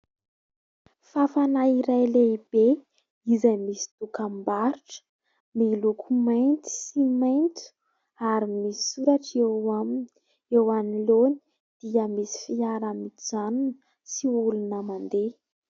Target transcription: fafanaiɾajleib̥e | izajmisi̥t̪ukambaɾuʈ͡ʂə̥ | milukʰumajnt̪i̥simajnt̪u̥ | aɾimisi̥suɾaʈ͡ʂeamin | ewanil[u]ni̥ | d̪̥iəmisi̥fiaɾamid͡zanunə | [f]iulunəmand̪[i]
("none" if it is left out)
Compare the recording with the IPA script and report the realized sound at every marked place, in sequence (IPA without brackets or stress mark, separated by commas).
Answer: o, s, e